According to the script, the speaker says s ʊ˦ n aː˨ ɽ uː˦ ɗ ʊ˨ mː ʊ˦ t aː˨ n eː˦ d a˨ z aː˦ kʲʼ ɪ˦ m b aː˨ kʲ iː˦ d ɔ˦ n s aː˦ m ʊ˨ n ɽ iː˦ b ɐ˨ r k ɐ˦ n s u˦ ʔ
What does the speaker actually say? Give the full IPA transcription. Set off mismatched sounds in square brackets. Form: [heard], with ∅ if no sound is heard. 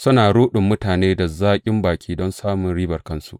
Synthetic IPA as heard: s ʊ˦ n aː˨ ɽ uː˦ ɗ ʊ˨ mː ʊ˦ t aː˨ n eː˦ d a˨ z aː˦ kʲʼ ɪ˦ m b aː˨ kʲ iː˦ d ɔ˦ n s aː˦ m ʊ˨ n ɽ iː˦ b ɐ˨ r k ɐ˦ n s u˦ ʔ

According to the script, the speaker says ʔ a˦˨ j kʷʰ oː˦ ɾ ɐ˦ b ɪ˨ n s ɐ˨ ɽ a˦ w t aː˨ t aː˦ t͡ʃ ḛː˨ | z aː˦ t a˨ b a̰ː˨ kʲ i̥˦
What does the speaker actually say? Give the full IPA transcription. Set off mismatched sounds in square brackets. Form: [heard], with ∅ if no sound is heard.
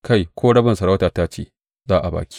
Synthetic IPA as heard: [k] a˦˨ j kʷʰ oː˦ [ɽ] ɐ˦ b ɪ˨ n s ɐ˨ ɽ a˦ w t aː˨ t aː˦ t͡ʃ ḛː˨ | z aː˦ [ʔ] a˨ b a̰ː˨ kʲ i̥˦

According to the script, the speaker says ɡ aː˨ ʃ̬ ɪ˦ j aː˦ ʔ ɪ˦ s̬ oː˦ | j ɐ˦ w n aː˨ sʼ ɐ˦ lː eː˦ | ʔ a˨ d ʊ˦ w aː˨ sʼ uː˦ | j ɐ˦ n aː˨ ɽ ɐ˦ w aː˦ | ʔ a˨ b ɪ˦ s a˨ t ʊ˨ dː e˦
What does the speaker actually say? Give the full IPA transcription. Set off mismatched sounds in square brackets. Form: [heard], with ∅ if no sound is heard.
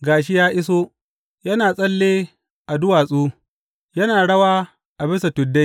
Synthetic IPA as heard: ɡ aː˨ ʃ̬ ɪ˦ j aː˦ ʔ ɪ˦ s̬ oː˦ | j ɐ˦ [∅] n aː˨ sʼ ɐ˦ lː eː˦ | ʔ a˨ d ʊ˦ w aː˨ sʼ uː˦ | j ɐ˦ n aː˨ ɽ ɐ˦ w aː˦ | ʔ a˨ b ɪ˦ s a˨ t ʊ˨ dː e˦

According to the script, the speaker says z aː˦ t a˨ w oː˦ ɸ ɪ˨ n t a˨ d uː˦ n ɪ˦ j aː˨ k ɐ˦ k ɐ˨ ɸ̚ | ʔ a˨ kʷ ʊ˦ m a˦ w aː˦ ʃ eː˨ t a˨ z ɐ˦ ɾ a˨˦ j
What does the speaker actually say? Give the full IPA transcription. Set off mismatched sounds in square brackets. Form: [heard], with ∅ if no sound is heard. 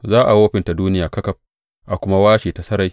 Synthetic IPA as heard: z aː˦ [ʔ] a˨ w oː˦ ɸ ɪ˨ n t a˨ d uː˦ n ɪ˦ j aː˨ k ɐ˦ k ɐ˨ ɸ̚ | ʔ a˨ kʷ ʊ˦ m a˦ w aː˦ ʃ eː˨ t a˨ [s] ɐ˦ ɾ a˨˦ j

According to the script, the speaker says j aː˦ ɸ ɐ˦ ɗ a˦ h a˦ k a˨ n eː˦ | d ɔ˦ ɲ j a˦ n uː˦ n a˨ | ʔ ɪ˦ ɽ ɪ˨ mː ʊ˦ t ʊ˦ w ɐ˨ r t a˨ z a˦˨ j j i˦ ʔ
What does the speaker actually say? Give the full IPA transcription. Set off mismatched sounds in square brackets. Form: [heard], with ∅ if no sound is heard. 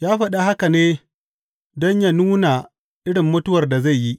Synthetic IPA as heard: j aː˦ ɸ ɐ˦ ɗ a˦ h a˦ k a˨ n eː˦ | d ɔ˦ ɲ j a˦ n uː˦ n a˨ | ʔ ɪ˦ ɽ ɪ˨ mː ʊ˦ t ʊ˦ w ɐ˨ r [d] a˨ z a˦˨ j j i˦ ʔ

